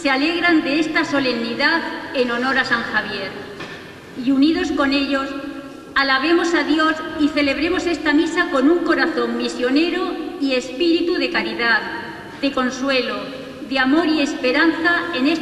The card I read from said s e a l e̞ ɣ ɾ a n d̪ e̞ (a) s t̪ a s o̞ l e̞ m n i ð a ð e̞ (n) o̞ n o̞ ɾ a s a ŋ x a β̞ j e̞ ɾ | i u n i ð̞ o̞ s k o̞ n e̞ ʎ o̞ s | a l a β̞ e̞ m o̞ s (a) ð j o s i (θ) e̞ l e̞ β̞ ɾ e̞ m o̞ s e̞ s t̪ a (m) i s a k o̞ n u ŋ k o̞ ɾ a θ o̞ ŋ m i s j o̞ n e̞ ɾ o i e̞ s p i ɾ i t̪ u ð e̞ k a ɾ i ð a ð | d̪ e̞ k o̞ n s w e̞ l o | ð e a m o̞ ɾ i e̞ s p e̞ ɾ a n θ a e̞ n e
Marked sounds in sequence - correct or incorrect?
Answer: incorrect, correct, correct, correct, correct

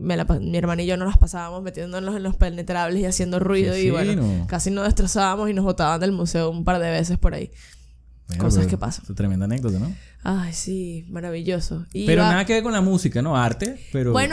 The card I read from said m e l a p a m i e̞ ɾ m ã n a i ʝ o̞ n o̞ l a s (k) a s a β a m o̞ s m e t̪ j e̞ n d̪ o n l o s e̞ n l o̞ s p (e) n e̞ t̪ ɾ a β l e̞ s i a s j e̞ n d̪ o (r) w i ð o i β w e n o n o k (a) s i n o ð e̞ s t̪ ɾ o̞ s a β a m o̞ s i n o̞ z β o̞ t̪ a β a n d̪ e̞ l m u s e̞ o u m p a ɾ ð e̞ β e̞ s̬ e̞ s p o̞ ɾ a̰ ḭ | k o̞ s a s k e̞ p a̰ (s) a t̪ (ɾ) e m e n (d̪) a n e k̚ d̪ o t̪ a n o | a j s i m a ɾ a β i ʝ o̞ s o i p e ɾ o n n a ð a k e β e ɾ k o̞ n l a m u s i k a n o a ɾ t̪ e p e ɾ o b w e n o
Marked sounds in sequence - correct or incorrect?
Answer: incorrect, correct, correct, correct, correct, correct, correct

